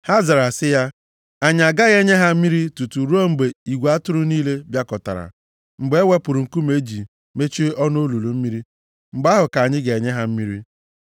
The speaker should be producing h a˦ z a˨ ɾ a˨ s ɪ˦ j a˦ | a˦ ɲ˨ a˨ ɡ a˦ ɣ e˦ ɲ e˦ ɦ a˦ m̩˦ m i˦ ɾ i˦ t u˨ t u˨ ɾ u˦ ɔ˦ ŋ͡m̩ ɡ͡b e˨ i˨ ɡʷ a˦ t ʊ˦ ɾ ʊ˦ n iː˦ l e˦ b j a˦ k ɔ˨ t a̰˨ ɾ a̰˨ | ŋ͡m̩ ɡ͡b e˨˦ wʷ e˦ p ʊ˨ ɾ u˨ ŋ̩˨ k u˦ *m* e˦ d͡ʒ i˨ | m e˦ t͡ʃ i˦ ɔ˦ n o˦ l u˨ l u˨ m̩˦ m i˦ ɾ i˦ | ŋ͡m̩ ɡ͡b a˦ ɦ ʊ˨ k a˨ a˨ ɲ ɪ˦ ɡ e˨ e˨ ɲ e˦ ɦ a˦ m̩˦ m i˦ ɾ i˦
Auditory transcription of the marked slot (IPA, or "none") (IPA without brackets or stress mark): m